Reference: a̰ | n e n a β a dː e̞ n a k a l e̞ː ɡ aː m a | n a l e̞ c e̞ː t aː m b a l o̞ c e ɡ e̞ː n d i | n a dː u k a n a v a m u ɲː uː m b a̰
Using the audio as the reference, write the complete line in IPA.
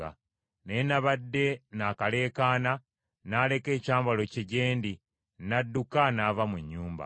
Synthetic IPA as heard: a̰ | n e n a β a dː e̞ n a k a l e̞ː k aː n a | n a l e̞ k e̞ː c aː m b a l o̞ c e ɟ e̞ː n d i | n a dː u k a n a v a m u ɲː uː m b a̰